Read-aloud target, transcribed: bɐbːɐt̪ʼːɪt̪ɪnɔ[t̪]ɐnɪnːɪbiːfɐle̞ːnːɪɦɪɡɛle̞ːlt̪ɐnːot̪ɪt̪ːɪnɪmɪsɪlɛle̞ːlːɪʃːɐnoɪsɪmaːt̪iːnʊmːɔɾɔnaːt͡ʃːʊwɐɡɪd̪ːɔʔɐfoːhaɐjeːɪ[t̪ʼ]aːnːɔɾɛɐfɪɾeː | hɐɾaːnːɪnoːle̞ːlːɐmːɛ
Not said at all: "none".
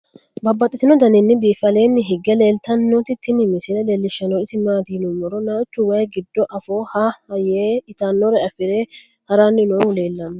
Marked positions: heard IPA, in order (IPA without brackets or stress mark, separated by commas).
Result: d̪, t̪